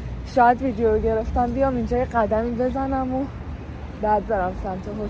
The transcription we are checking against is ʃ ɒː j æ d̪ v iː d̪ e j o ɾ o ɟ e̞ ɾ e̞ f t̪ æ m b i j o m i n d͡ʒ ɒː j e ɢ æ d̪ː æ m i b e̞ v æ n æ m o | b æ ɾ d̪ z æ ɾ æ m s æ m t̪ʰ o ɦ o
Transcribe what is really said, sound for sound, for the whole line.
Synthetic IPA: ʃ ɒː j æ d̪ v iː d̪ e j o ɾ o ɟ e̞ ɾ e̞ f t̪ æ m b i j ɒ m i n d͡ʒ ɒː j e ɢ æ d̪ æ m i b e̞ z æ n æ m o | b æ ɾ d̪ z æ ɾ æ m s æ m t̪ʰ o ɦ o